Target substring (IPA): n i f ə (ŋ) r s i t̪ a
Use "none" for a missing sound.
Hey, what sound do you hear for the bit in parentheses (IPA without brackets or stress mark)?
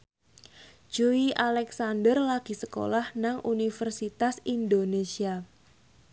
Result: none